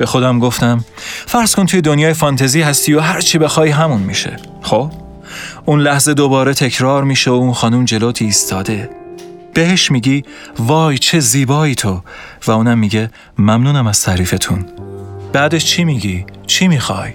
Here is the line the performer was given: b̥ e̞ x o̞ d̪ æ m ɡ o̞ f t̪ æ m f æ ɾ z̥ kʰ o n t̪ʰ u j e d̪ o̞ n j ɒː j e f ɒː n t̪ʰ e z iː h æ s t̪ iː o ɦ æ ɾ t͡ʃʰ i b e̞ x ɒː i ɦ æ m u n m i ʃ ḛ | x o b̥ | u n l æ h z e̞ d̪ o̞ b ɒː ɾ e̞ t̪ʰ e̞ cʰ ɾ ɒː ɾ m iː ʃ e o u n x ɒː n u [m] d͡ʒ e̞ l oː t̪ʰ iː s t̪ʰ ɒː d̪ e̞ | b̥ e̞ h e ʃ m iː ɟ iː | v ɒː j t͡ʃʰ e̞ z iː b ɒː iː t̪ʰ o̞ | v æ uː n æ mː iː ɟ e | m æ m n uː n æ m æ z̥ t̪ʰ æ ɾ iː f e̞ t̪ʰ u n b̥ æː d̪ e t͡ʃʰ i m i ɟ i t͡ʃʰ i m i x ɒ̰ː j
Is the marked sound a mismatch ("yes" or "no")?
no